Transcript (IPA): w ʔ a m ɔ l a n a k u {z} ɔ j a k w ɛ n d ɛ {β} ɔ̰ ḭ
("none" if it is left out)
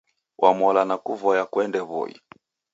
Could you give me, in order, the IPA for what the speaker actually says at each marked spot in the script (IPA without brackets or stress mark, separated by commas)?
v, β